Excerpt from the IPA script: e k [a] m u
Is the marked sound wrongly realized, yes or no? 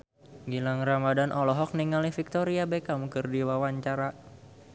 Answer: no